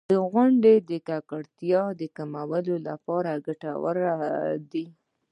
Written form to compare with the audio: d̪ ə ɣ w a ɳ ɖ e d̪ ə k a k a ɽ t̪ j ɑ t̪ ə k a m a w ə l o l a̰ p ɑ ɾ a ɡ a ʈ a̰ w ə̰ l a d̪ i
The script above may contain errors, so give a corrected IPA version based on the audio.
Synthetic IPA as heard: d̪ ə ɣ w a ɳ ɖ e d̪ ə k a k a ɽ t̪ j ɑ d̪ ə k a m a w ə l o l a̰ p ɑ ɾ a ɡ a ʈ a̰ w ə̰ ɾ a d̪ i